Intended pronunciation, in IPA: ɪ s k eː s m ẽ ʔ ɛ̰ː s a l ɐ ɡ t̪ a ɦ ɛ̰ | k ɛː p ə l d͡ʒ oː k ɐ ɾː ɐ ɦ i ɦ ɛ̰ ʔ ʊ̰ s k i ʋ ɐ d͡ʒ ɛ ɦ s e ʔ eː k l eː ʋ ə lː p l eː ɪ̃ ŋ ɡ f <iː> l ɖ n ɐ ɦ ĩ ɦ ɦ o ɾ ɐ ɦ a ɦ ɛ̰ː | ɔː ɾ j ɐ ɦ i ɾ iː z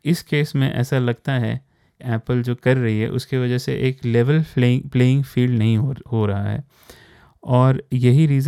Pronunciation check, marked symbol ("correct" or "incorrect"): correct